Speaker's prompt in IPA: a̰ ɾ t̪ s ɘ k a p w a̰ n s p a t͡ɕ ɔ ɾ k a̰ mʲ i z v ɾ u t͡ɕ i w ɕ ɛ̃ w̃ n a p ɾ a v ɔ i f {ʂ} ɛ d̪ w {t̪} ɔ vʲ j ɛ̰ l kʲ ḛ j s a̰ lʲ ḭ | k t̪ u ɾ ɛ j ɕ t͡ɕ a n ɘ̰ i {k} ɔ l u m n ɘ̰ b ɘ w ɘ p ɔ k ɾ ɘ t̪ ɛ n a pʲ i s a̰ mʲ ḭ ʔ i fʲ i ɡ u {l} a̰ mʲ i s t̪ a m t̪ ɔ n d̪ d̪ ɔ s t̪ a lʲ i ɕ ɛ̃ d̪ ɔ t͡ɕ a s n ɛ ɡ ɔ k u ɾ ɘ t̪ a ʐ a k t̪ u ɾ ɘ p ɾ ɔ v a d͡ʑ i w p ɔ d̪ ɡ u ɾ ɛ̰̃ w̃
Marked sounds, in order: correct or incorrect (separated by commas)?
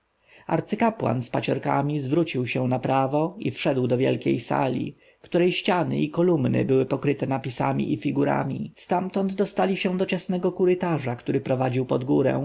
correct, incorrect, correct, incorrect